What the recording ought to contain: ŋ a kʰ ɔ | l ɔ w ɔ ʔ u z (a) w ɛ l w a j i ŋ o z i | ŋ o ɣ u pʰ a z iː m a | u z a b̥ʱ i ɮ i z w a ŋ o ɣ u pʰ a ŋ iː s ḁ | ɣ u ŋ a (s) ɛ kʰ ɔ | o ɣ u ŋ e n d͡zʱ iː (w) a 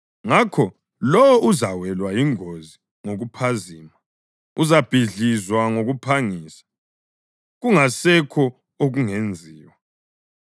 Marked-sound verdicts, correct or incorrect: correct, correct, correct

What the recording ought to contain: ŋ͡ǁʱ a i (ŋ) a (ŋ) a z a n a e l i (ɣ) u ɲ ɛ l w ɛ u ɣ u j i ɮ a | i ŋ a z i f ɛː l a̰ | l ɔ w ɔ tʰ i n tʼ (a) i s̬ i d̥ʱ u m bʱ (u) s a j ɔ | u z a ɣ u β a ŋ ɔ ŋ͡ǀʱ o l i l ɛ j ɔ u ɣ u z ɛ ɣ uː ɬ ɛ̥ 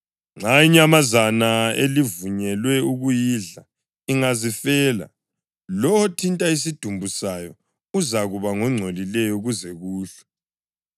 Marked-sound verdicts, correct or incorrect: incorrect, incorrect, incorrect, correct, correct

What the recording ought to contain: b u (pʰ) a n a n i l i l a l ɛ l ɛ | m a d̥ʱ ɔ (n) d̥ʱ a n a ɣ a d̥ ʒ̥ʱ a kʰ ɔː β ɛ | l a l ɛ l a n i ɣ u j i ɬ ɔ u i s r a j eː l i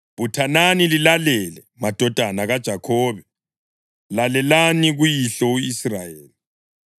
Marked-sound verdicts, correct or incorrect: incorrect, incorrect

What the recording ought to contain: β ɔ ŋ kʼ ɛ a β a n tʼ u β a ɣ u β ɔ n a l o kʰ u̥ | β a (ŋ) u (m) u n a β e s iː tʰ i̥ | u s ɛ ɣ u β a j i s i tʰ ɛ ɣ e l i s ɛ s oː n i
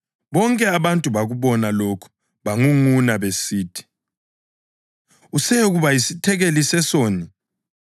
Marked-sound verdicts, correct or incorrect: correct, incorrect

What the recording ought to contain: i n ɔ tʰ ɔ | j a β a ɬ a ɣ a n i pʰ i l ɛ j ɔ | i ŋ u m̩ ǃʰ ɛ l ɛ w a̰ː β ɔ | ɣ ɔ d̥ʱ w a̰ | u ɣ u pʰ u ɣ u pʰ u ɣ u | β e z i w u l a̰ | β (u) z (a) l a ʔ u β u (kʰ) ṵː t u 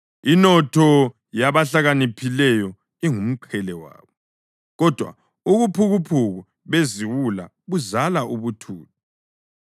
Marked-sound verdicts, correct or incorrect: correct, correct, incorrect

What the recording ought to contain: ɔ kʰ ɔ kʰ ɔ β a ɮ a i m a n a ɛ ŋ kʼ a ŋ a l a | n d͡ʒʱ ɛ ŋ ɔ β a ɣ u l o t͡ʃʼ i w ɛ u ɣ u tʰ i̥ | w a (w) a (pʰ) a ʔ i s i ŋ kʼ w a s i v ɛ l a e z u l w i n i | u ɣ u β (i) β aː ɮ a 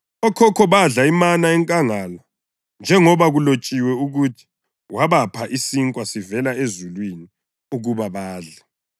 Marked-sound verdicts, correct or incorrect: incorrect, correct, incorrect

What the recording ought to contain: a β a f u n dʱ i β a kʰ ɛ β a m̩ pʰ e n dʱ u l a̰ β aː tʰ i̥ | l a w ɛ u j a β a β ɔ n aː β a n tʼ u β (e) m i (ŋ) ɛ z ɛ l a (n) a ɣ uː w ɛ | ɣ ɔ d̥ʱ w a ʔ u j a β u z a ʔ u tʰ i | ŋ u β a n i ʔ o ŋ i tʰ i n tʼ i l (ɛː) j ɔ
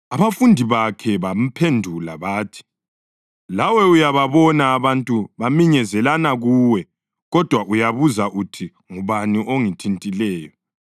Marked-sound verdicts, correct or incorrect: incorrect, incorrect, correct, correct

